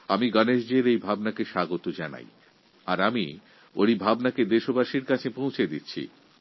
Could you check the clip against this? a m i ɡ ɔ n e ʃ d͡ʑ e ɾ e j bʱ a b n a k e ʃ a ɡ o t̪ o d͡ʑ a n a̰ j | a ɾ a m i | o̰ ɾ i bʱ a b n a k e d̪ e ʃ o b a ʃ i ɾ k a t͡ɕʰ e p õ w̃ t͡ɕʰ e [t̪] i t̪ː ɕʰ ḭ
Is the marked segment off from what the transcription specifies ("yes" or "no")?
yes